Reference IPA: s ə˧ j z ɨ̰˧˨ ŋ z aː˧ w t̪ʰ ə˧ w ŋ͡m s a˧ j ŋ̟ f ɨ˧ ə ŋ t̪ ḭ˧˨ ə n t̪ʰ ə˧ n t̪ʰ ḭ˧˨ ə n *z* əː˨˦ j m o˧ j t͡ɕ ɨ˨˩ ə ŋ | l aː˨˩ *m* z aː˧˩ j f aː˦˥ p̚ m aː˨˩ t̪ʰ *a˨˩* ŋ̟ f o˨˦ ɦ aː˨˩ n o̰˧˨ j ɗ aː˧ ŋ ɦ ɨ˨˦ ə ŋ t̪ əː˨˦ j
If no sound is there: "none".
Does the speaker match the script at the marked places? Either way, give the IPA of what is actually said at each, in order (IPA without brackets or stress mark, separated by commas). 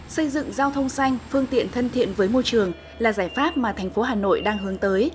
v, none, ɛ˨˩